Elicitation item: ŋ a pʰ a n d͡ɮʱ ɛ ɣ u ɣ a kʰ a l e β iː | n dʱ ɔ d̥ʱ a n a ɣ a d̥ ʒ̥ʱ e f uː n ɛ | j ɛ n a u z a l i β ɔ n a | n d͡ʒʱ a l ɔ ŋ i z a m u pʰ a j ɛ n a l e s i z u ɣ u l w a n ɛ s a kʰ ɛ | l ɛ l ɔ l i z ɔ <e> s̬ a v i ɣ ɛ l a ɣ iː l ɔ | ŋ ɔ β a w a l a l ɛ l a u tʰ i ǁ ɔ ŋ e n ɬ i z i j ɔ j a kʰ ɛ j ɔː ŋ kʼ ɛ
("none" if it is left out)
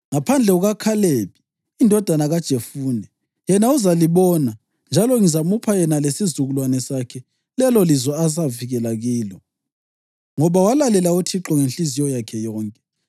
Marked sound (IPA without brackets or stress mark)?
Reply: a